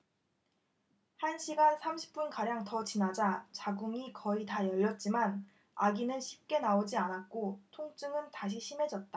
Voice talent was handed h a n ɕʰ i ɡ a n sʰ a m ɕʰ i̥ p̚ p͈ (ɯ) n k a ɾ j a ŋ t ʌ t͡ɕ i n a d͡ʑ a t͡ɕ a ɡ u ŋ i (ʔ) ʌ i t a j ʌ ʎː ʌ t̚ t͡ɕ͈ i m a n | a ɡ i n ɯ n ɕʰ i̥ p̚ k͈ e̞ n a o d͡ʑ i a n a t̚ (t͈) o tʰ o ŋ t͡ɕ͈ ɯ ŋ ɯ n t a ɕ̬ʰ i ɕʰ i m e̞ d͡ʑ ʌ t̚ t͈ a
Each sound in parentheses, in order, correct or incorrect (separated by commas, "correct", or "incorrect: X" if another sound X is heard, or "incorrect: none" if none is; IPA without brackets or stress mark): incorrect: u, incorrect: k, incorrect: k͈